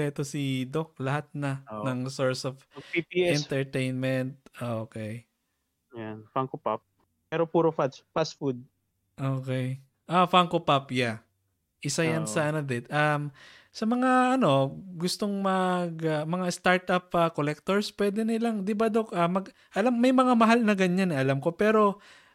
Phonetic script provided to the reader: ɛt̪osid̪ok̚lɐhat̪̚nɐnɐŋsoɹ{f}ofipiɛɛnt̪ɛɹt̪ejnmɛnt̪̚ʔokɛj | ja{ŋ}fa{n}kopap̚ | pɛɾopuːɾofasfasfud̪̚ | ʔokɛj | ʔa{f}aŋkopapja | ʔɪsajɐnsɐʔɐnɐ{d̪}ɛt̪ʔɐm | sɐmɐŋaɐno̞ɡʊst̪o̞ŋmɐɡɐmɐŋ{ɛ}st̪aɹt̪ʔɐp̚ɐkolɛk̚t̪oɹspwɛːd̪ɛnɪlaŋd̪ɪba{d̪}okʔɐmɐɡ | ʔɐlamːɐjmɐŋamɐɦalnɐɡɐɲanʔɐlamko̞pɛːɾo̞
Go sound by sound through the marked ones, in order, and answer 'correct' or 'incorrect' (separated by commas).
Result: incorrect, incorrect, incorrect, correct, correct, incorrect, correct